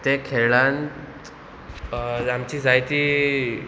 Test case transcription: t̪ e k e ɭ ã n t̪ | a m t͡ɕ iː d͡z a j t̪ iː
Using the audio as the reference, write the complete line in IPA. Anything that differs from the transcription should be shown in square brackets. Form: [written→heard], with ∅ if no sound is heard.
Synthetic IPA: t̪ e [k→kʰ] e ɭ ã n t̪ | a m t͡ɕ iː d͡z a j t̪ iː